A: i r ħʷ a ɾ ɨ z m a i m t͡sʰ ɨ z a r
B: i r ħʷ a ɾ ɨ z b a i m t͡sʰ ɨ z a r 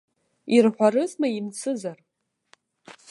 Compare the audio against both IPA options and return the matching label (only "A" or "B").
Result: A